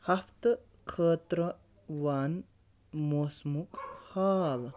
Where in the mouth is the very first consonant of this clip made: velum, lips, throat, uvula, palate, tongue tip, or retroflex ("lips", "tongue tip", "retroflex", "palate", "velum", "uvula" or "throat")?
throat